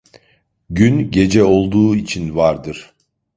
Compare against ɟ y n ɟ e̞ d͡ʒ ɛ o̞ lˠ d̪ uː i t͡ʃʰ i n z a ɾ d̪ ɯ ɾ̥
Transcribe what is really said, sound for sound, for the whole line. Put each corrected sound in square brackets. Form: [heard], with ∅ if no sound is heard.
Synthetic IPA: ɟ y n ɟ e̞ d͡ʒ ɛ o̞ lˠ d̪ uː i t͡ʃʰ i n [v] a ɾ d̪ ɯ ɾ̥

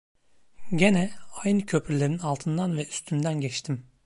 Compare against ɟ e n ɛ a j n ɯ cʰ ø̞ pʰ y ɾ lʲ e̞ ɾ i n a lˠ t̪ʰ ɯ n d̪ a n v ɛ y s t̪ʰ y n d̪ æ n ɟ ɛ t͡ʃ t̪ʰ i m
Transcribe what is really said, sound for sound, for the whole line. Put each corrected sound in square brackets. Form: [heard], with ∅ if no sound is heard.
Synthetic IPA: ɟ e n ɛ a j n ɯ cʰ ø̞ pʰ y ɾ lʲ e̞ ɾ i n a lˠ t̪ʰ ɯ n d̪ a n v ɛ y s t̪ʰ y n d̪ æ n ɟ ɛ t͡ʃ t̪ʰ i m

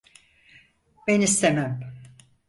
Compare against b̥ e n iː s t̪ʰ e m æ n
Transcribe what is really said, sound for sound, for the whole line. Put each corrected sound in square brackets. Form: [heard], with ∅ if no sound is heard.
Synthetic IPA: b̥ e n [i] s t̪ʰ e m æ [m]

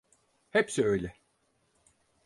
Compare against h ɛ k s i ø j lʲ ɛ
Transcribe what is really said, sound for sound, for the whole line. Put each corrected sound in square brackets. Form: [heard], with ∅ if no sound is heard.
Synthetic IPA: h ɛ [p] s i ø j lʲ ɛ

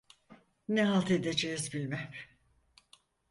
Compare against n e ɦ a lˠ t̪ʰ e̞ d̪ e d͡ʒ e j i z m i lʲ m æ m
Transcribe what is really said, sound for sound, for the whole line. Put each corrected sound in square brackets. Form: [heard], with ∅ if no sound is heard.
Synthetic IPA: n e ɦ a lˠ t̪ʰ e̞ d̪ e d͡ʒ e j i z [b] i lʲ m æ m

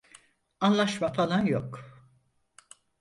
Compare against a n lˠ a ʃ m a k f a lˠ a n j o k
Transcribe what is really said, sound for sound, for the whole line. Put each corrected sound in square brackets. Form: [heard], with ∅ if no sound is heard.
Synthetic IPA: a n lˠ a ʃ m a [∅] f a lˠ a n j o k

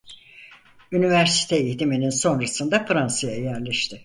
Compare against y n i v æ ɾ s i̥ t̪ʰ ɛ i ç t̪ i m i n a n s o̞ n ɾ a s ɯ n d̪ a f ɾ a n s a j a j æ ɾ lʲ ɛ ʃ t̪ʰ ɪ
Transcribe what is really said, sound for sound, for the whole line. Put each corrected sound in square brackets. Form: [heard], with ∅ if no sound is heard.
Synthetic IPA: y n i v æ ɾ s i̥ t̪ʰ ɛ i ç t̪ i m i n [i] n s o̞ n ɾ a s ɯ n d̪ a f ɾ a n s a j a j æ ɾ lʲ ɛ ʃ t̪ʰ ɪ

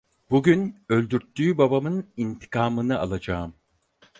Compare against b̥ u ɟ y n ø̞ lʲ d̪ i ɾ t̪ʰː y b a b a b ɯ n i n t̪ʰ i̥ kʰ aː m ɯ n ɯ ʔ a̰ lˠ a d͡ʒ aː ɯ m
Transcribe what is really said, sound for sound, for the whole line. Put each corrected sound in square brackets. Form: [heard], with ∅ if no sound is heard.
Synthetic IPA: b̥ u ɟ y n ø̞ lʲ d̪ [y] ɾ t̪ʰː [yː] b a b a [m] ɯ n i n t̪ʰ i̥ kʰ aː m ɯ n ɯ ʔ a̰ lˠ a d͡ʒ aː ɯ m

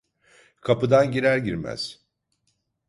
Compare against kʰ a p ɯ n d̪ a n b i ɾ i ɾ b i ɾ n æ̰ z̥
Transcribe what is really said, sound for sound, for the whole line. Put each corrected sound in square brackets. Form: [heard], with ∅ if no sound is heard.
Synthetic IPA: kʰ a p ɯ [∅] d̪ a n [ɟ] i ɾ [æ] ɾ [ɟ] i ɾ [m] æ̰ z̥

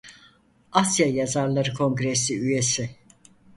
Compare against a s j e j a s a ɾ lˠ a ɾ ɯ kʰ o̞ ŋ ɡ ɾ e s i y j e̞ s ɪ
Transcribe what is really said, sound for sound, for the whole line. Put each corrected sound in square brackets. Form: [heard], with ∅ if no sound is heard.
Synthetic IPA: a s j [a] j a [z] a ɾ lˠ a ɾ ɯ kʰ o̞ ŋ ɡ ɾ e s i y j e̞ s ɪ

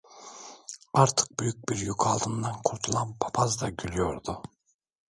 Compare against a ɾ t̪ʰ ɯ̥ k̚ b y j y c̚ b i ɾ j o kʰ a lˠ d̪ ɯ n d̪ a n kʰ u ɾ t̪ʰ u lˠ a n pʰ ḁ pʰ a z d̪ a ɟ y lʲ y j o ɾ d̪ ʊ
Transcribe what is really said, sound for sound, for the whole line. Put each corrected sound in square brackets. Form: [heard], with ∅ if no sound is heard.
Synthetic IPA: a ɾ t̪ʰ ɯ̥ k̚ b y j y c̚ b i ɾ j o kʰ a lˠ d̪ ɯ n d̪ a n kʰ u ɾ t̪ʰ u lˠ a n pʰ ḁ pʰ a z d̪ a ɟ y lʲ y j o ɾ d̪ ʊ

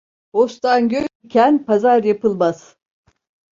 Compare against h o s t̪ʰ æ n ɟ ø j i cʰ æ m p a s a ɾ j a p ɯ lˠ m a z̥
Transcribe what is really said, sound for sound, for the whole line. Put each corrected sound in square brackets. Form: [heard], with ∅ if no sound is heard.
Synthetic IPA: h o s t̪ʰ [a] n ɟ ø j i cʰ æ [n] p a [z] a ɾ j a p ɯ lˠ m a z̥

